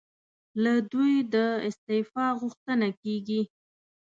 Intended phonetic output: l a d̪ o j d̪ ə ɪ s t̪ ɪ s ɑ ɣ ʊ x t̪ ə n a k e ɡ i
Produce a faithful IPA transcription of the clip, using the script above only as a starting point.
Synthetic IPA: l a d̪ u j d̪ ə ɪ s t̪ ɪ f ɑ ɣ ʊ x t̪ ə n a k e ɡ i